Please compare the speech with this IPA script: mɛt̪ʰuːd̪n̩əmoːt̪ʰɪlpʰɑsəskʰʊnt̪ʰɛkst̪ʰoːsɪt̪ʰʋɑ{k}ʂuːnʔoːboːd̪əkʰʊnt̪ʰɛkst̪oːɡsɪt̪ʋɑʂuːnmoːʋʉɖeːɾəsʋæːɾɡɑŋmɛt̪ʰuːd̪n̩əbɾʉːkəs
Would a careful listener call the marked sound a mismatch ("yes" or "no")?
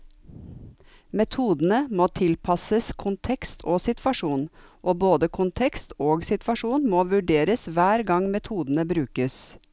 yes